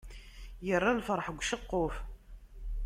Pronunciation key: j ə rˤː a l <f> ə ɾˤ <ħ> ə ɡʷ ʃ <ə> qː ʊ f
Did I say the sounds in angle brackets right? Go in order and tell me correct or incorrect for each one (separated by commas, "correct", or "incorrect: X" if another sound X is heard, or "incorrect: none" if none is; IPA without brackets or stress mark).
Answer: correct, correct, correct